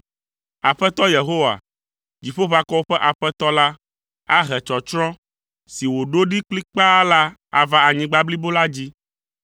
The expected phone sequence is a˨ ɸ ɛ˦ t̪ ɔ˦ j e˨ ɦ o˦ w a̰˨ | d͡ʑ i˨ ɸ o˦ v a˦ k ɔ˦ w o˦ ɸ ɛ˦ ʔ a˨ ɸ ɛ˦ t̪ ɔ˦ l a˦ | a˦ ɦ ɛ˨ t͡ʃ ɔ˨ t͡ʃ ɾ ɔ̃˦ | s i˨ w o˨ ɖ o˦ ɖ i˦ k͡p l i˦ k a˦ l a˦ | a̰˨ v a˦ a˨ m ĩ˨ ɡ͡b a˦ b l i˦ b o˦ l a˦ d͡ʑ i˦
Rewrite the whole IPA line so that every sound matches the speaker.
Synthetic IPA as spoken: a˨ ɸ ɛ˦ t̪ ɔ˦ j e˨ ɦ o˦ w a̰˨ | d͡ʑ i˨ ɸ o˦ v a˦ k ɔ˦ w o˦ ɸ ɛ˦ ʔ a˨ ɸ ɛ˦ t̪ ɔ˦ l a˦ | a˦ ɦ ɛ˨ t͡ʃ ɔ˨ t͡ʃ ɾ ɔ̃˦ | s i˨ w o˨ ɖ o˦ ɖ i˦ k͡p l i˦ k͡p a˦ l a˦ | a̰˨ v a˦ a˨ ɲ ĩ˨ ɡ͡b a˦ b l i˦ b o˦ l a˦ d͡ʑ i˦